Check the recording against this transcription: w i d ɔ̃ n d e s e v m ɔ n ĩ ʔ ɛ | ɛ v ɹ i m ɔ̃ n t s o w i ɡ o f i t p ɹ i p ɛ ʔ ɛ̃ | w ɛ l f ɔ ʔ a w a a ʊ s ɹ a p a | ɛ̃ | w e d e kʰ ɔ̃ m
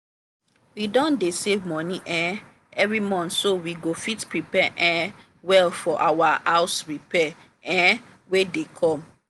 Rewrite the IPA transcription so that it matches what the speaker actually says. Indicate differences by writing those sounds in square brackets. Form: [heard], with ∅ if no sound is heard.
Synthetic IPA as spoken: w i d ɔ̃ n d e s e v m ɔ n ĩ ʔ ɛ | ɛ v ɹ i m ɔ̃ n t s o w i ɡ o f i t p ɹ i p ɛ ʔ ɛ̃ | w ɛ l f ɔ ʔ a w a a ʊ s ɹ [i] p [ɛ] | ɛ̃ | w e d e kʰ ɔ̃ m